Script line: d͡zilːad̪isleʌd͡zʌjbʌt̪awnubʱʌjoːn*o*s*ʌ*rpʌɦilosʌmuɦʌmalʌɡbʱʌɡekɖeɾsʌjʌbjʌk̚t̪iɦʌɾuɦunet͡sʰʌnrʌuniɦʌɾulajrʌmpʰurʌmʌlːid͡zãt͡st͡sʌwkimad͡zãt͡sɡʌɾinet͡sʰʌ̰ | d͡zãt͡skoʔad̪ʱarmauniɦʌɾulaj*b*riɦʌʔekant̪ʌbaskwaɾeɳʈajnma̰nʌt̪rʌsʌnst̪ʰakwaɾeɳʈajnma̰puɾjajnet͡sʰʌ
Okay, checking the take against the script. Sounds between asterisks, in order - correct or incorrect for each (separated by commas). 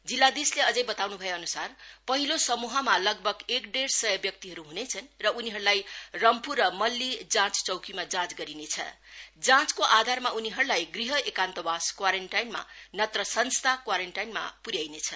incorrect, incorrect, incorrect